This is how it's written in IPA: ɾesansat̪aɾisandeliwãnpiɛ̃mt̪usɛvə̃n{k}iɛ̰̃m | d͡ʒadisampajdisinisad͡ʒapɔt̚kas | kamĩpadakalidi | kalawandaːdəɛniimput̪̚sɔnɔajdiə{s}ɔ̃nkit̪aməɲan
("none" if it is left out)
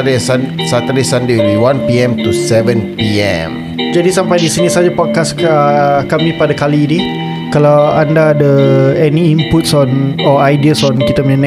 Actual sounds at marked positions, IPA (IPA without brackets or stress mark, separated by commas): p, s